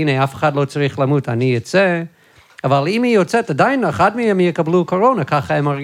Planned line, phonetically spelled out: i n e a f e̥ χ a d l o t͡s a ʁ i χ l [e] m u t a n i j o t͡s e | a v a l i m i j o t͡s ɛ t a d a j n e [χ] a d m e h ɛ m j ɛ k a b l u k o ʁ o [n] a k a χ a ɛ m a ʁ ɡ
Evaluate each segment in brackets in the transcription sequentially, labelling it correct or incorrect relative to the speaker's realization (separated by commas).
incorrect, correct, correct